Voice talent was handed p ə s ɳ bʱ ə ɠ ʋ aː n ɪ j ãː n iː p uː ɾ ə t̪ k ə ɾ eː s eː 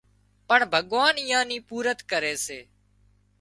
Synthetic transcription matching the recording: p ə ɳ bʱ ə ɠ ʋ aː n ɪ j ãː n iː p uː ɾ ə t̪ k ə ɾ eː s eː